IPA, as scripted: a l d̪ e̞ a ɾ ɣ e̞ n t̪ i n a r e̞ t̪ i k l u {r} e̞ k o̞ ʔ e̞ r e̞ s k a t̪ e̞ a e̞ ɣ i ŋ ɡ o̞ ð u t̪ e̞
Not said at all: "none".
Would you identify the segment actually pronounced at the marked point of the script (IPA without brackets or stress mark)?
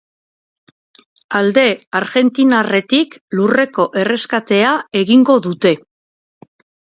r